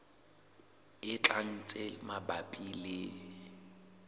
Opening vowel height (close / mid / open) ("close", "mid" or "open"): close